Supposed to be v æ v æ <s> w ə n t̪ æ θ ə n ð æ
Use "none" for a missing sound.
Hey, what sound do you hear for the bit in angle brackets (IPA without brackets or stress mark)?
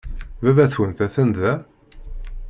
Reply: θ